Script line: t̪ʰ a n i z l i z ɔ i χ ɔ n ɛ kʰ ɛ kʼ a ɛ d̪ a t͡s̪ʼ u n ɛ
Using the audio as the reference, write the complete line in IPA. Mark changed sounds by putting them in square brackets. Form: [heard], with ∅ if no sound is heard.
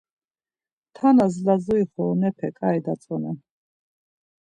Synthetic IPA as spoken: t̪ʰ a n [a] z l [a] z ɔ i χ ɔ n ɛ [pʰ] ɛ kʼ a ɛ d̪ a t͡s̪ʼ [ɔ] n ɛ